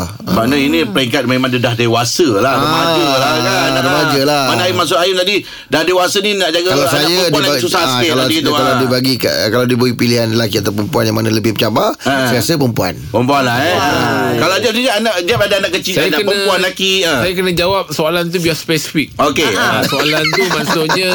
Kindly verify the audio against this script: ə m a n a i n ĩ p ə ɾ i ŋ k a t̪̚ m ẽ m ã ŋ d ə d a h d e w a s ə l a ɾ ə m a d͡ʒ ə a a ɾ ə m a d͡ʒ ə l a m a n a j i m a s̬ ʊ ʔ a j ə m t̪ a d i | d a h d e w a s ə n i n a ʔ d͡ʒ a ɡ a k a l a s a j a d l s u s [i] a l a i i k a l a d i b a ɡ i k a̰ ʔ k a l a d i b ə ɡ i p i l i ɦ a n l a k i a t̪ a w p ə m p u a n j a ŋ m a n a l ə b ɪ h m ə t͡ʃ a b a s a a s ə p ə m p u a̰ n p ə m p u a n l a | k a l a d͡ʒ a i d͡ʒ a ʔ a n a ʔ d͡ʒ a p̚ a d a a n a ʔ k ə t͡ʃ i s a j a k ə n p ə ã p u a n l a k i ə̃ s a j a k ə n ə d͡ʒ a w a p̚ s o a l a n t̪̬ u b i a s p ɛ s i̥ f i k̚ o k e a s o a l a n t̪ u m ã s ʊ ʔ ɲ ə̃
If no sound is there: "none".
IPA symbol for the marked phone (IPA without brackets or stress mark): a